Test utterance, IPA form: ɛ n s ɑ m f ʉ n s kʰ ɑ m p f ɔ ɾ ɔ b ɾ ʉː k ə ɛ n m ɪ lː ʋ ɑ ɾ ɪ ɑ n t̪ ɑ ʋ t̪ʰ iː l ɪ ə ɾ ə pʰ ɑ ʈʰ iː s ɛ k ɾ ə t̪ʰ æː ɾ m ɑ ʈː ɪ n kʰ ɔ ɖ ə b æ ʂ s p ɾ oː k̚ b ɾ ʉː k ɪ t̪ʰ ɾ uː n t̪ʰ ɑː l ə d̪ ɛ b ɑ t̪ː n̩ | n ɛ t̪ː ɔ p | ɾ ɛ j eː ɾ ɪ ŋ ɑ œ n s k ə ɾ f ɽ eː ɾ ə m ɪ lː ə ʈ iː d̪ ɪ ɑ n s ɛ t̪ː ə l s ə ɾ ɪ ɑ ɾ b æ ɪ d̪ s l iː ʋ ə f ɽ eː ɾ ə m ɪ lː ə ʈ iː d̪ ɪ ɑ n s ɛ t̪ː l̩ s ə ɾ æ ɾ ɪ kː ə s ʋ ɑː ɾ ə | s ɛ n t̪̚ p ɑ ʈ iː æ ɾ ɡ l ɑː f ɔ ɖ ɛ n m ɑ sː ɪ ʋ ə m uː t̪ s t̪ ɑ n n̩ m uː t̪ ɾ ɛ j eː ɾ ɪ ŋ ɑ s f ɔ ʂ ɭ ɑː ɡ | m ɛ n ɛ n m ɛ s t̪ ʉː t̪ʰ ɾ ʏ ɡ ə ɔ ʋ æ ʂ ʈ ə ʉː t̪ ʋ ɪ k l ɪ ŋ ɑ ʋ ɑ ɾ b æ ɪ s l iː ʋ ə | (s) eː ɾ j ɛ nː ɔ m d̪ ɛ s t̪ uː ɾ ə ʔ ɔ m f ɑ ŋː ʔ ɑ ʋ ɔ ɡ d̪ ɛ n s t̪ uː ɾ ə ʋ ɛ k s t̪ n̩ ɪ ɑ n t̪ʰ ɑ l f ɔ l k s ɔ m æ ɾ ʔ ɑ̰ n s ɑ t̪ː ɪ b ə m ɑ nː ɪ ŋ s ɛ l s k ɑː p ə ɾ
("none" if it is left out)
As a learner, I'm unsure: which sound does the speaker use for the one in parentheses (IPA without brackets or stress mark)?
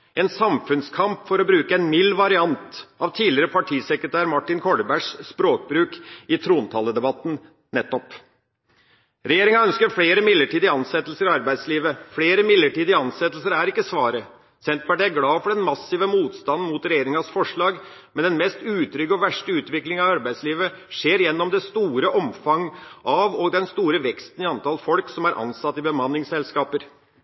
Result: ʂ